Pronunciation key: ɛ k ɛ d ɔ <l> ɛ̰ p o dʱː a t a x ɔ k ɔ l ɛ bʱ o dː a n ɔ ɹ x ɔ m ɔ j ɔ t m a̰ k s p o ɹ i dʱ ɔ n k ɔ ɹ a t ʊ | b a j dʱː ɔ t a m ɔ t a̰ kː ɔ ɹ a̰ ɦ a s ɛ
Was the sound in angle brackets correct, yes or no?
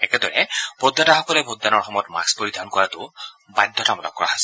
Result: no